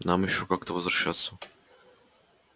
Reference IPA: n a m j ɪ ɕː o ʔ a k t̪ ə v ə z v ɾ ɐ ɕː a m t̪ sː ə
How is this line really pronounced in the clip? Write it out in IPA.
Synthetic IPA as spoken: n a m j ɪ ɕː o k a k t̪ ə v ə z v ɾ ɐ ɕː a t̪ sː ə